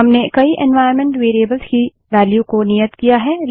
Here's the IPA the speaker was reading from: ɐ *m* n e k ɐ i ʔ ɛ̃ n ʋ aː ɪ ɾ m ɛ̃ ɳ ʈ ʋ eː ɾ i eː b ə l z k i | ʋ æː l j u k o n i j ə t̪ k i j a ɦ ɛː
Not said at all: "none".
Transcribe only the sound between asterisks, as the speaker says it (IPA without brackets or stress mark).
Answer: m